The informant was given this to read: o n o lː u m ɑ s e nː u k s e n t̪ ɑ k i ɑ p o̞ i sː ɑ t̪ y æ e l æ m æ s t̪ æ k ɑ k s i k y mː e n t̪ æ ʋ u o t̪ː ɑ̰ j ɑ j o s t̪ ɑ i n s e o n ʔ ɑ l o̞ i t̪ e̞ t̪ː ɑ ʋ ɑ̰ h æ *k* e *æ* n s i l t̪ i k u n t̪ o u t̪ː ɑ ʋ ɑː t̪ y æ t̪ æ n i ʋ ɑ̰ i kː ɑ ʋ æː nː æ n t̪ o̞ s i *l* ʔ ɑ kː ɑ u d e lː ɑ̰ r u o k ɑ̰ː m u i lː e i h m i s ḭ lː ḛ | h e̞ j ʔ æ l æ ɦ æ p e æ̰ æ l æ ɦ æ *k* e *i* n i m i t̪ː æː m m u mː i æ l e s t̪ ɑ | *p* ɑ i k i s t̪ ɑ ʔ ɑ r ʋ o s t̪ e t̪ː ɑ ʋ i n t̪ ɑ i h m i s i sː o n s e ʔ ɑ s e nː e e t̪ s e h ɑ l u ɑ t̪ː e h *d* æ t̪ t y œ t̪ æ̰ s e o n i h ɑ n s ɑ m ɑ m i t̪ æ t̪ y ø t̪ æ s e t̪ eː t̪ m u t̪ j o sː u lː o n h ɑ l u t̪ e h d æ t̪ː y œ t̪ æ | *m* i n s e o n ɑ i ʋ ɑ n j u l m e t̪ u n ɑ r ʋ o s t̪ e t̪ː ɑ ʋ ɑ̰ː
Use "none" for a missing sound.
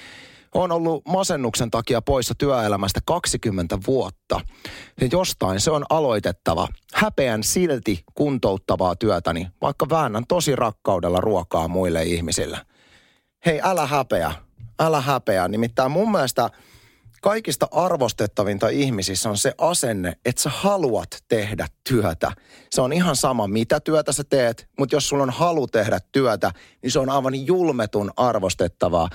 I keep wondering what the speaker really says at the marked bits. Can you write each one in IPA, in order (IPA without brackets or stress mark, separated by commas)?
p, æ, r, p, æ, k, d, n